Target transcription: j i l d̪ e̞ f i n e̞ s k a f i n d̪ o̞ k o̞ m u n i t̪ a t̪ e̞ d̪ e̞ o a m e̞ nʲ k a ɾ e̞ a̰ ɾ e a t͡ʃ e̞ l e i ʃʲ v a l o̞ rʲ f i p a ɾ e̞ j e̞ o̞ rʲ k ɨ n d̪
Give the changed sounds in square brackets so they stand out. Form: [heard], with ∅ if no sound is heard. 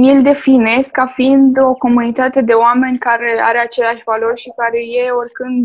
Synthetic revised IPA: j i l d̪ e̞ f i n e̞ s k a f i n d̪ o̞ k o̞ m u n i t̪ a t̪ e̞ d̪ e̞ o a m e̞ nʲ k a ɾ e̞ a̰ ɾ e a t͡ʃ e̞ l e [a] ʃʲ v a l o̞ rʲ [ʃ] i [k] a ɾ e̞ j e̞ o̞ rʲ k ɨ n d̪